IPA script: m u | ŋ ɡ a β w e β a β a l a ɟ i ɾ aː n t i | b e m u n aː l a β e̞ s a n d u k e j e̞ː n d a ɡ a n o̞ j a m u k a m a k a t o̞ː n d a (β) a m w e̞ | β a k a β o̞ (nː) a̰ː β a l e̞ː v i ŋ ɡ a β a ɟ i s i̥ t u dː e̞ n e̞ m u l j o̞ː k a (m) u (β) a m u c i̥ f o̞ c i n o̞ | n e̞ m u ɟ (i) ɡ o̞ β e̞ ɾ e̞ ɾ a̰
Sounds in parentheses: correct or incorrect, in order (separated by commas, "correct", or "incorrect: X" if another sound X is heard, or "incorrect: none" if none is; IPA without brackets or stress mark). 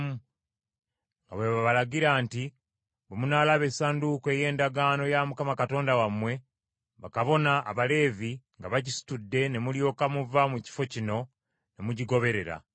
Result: incorrect: w, incorrect: n, correct, incorrect: v, correct